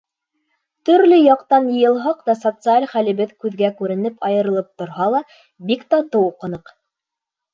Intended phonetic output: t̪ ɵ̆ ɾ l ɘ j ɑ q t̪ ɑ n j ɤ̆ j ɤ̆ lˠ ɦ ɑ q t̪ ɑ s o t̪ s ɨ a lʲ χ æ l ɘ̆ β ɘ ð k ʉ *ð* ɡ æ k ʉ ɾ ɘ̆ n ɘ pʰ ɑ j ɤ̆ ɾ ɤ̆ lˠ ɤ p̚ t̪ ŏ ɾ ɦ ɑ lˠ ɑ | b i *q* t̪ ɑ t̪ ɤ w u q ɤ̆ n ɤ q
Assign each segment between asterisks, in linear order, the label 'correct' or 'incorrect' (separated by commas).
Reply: correct, incorrect